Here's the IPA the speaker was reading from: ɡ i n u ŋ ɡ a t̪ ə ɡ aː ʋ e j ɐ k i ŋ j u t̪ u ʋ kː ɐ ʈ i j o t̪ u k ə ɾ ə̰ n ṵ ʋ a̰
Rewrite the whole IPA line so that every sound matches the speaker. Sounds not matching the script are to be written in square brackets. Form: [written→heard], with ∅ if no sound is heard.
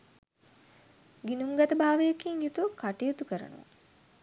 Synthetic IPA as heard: ɡ i n u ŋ ɡ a t̪ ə [ɡ→b] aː ʋ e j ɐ k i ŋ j u t̪ u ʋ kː [ɐ→a] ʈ i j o t̪ u k ə ɾ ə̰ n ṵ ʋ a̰